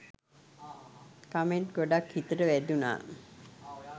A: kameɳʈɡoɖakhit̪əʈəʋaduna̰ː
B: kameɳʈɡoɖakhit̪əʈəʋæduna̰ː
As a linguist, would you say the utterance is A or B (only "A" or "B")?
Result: B